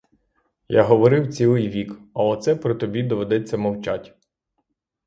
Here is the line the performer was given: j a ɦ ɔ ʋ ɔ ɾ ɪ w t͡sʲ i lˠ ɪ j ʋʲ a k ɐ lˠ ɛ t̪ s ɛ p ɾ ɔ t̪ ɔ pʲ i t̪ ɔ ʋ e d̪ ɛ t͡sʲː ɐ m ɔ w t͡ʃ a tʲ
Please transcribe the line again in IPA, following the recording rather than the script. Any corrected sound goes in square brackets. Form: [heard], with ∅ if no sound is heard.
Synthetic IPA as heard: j a ɦ ɔ ʋ ɔ ɾ ɪ w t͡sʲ i lˠ ɪ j ʋʲ [i] k ɐ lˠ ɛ t̪ s ɛ p ɾ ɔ t̪ ɔ [bʲ] i [d̪] ɔ ʋ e d̪ ɛ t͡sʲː ɐ m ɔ w t͡ʃ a tʲ